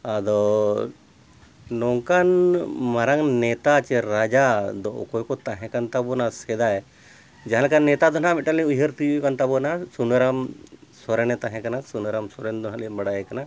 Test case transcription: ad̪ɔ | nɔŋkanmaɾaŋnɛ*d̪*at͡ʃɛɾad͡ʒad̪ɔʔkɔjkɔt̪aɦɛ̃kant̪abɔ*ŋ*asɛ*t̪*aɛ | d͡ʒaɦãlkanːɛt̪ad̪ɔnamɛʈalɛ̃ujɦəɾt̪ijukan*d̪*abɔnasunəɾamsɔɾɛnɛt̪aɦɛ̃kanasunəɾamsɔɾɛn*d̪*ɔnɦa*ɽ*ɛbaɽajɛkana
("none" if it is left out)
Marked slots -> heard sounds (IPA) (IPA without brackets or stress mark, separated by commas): t̪, n, d̪, t̪, d̪, l